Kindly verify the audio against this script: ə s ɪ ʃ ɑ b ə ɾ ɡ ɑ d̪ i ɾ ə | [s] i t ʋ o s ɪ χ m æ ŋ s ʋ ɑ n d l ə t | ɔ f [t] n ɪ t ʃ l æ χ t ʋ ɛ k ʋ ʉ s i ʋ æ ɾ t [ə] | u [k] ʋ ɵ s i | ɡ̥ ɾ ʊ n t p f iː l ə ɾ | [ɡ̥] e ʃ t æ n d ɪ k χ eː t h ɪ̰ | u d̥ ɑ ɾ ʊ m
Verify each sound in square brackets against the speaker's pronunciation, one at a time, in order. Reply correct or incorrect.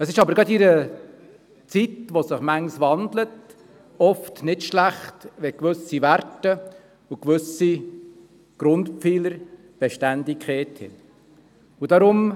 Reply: incorrect, correct, correct, correct, incorrect

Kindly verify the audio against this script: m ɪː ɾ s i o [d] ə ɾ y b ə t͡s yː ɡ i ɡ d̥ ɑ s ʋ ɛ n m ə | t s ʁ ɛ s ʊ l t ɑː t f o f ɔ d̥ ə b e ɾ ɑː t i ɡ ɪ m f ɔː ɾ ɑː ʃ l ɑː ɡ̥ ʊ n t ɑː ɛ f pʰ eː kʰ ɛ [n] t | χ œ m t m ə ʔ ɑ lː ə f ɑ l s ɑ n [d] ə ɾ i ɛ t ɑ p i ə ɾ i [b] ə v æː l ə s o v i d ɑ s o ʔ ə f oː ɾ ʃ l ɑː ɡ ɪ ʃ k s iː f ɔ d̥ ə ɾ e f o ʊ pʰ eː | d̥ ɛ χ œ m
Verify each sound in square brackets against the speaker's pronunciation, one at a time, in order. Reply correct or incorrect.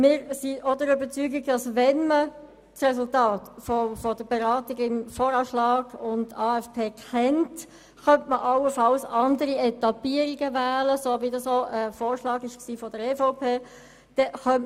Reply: correct, correct, correct, incorrect

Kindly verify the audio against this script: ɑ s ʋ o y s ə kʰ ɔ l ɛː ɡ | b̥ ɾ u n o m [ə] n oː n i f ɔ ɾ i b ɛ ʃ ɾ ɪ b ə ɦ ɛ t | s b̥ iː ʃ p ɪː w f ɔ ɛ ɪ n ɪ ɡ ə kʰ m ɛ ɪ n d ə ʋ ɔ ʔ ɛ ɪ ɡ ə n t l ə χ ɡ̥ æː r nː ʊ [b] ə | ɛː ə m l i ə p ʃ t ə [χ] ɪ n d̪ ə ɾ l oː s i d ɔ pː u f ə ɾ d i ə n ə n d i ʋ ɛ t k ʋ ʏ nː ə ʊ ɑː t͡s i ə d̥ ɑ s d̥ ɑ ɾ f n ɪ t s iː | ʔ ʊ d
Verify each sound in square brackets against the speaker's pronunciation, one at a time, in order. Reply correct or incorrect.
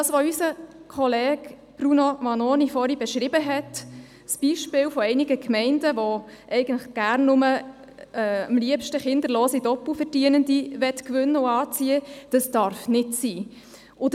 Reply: incorrect, incorrect, correct

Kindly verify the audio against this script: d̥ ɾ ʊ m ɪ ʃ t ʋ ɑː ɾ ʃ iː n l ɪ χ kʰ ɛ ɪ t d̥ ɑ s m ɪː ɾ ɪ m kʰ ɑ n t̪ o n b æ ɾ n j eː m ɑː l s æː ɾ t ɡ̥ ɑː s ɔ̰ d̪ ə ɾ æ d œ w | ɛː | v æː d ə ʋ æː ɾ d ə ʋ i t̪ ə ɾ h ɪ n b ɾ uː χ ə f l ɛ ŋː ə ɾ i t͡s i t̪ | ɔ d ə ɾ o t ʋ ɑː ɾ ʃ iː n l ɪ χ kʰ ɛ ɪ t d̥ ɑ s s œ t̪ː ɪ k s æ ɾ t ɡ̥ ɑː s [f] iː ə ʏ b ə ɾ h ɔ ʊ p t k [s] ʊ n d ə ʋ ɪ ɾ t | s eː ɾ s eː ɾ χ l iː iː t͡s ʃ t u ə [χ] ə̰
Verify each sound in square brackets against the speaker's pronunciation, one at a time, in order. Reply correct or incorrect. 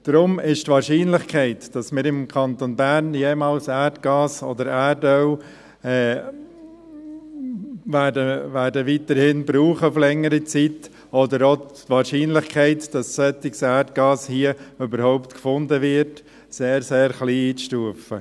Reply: incorrect, incorrect, incorrect

